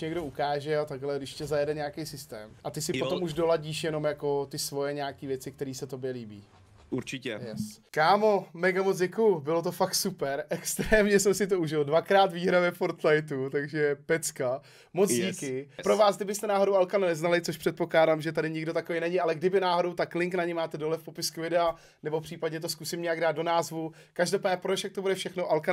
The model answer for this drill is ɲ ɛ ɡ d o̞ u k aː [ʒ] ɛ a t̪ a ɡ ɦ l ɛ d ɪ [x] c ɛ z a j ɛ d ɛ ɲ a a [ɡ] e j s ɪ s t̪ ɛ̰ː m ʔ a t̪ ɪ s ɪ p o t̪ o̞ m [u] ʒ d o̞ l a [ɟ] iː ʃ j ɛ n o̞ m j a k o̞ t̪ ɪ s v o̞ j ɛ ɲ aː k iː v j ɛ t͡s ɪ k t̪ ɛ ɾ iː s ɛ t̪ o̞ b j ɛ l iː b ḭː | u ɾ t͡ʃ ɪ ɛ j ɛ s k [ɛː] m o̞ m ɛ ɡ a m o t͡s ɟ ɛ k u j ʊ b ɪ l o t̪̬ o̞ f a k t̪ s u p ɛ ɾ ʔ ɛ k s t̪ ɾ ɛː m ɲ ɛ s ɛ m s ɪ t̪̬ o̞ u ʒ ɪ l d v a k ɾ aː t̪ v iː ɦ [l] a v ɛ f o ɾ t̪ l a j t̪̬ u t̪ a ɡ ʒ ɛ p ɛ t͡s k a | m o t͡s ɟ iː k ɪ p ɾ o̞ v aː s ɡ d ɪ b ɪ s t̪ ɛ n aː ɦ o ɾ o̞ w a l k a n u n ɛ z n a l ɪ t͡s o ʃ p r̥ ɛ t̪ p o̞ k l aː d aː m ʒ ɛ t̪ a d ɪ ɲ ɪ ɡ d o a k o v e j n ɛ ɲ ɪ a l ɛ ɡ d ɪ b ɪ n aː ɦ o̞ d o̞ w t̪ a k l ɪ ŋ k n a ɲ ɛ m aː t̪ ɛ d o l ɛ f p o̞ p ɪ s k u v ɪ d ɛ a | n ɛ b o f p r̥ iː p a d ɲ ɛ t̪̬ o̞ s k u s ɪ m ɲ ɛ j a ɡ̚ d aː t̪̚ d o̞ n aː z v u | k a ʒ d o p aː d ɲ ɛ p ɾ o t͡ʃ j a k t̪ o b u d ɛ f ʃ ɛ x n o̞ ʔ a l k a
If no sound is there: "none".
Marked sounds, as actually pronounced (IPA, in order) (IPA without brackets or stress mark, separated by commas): ʒ, ʃ, k, u, ɟ, aː, ɾ